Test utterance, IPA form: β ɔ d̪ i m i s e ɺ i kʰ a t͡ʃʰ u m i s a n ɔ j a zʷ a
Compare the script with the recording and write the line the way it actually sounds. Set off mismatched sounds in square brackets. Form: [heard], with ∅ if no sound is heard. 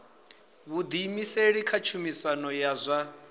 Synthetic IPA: β [u] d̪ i m i s e ɺ i kʰ a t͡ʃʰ u m i s a n ɔ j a zʷ a